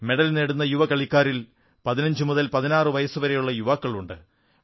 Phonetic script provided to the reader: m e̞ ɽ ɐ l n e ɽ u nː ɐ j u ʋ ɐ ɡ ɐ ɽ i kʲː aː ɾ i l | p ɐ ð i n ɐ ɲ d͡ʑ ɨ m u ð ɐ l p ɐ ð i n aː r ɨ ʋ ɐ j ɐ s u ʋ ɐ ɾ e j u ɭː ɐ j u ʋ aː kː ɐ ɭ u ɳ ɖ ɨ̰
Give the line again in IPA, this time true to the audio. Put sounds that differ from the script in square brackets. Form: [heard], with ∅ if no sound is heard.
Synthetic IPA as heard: m e̞ ɽ ɐ l n e ɽ u nː ɐ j u ʋ ɐ [k] ɐ [ɭ] i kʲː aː ɾ i l | p ɐ ð i n ɐ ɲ d͡ʑ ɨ m u ð ɐ l p ɐ ð i n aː r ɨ ʋ ɐ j ɐ s u ʋ ɐ ɾ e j u ɭː ɐ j u ʋ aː kː ɐ ɭ u ɳ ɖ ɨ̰